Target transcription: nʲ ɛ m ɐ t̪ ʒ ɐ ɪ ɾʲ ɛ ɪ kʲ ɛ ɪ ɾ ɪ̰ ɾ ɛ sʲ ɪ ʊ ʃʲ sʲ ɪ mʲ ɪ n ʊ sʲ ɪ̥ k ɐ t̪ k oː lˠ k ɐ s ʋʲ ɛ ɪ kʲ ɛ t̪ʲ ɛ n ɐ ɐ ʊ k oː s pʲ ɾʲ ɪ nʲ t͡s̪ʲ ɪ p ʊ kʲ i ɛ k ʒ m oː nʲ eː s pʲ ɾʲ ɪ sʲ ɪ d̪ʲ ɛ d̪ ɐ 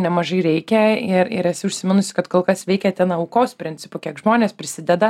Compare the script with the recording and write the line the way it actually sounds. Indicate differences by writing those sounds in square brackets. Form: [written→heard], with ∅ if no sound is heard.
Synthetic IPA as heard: nʲ ɛ m ɐ [t̪→∅] ʒ ɐ ɪ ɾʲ ɛ ɪ kʲ ɛ ɪ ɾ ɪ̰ ɾ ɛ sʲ ɪ ʊ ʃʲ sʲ ɪ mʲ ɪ n ʊ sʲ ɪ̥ k ɐ t̪ k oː lˠ k ɐ s ʋʲ ɛ ɪ kʲ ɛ t̪ʲ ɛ n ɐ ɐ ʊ k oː s pʲ ɾʲ ɪ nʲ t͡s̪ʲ ɪ p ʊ kʲ i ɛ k ʒ m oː nʲ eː s pʲ ɾʲ ɪ sʲ ɪ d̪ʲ ɛ d̪ ɐ